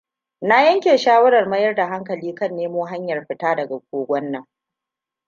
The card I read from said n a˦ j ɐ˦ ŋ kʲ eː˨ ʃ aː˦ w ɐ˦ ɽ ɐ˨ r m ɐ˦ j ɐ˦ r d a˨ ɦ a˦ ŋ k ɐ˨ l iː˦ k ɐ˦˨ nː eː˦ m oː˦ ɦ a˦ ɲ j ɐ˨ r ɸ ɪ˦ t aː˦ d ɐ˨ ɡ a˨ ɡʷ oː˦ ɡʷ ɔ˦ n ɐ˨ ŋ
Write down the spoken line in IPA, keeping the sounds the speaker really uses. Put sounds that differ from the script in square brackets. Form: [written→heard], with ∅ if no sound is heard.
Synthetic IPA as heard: n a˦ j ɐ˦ ŋ kʲ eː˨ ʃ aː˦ w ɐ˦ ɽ ɐ˨ r m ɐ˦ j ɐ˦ r d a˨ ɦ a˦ ŋ k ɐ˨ l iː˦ k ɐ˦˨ nː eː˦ m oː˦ ɦ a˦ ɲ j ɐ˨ r ɸ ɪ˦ t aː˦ d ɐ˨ ɡ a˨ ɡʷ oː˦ ɡʷ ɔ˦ [n→nː] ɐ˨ ŋ